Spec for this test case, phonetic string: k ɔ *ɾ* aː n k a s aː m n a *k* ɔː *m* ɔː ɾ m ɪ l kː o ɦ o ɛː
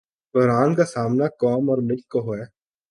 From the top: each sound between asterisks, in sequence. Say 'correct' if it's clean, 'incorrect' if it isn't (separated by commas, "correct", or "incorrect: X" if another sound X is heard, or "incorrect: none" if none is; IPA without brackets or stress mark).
correct, correct, correct